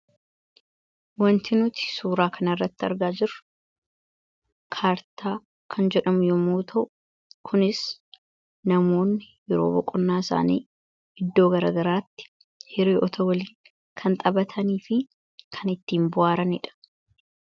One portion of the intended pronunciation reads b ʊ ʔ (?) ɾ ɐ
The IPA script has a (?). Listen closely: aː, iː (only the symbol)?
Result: aː